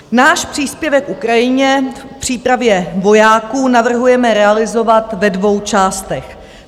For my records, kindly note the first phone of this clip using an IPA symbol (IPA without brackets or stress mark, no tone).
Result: n